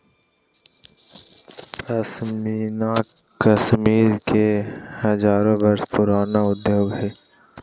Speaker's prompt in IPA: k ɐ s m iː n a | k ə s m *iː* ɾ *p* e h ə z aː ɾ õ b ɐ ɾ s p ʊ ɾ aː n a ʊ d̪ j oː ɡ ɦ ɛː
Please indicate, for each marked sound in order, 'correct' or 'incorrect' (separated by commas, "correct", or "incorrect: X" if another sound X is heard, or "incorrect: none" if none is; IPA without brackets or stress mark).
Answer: correct, incorrect: k